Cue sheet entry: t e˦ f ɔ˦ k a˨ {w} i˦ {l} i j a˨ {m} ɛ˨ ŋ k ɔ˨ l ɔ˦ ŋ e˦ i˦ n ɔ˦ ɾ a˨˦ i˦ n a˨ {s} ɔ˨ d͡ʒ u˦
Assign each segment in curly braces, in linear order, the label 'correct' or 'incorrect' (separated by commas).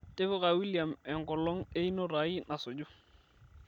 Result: correct, correct, correct, correct